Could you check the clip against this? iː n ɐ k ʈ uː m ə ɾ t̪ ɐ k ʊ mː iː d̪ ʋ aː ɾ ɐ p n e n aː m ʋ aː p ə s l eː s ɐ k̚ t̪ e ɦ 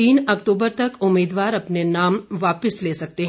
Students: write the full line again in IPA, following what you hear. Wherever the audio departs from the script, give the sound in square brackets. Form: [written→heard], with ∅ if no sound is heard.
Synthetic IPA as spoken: iː n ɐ k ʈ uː [m→b] ə ɾ t̪ ɐ k ʊ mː iː d̪ ʋ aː ɾ ɐ p n e n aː m ʋ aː p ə s l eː s ɐ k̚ t̪ e ɦ